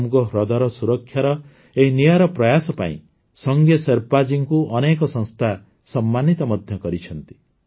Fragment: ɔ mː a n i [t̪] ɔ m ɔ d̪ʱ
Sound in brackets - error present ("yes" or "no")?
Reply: no